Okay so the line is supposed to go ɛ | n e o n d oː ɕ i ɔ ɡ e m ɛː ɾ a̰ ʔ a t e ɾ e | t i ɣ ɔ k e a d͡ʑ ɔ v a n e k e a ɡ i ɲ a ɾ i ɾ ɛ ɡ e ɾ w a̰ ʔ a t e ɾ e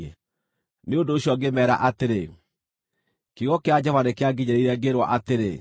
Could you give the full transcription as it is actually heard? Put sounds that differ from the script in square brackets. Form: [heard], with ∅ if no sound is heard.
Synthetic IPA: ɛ | n e o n d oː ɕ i ɔ ɡ e m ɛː ɾ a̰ ʔ a t e ɾ e | [k] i ɣ ɔ k e a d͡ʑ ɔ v a n e k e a ɡ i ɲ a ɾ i ɾ ɛ ɡ e ɾ w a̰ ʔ a t e ɾ e

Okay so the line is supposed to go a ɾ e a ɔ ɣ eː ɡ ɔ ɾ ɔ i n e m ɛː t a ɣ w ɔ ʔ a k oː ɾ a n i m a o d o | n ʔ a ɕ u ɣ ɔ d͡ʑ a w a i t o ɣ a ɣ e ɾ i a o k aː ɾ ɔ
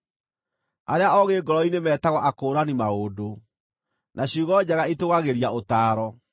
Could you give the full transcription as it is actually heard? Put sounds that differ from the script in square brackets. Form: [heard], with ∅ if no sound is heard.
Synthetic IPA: a ɾ e a ɔ ɣ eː ɡ ɔ ɾ ɔ i n e m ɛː t a ɣ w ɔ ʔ a k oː ɾ a n i m a o d o | n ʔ a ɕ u ɣ ɔ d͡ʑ a [ɣ] a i t o ɣ a ɣ e ɾ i a o [t] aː ɾ ɔ

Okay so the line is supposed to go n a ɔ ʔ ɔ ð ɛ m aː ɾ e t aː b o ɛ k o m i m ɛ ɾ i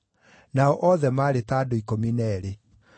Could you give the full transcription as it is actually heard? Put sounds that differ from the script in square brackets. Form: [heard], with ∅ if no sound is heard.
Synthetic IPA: n a ɔ ʔ ɔ ð ɛ m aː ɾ e t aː [d] o [i] k o m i [n] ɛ ɾ [e]

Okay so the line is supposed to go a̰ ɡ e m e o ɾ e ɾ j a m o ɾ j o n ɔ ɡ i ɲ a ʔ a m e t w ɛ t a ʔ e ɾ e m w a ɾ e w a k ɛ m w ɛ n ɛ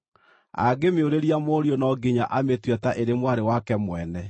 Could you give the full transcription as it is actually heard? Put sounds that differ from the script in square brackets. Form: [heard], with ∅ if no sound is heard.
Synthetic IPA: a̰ ɡ e m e o ɾ e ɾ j a m o ɾ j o n ɔ ɡ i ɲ a ʔ a m e t w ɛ t a ʔ e ɾ e m w a ɾ e w a k ɛ m w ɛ n ɛ

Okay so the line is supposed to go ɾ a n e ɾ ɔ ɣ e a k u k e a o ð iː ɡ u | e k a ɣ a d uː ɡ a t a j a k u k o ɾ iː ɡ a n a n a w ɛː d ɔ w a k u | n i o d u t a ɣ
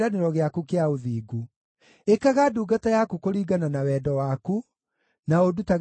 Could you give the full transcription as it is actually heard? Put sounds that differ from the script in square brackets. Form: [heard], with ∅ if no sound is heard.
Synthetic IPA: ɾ a n e ɾ ɔ ɣ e a k u k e a o ð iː ɡ u | e k a ɣ a d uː ɡ a t a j a k u k o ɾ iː ɡ a n a n a w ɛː d ɔ w a k u | n [a] o d u t a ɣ

